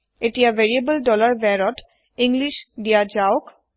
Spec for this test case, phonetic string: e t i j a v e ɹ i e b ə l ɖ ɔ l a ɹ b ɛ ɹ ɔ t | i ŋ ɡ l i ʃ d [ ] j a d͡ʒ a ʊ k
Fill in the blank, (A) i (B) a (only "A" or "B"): A